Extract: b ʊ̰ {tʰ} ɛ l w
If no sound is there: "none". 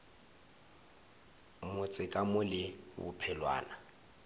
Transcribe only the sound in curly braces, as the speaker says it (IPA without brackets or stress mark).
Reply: pʰ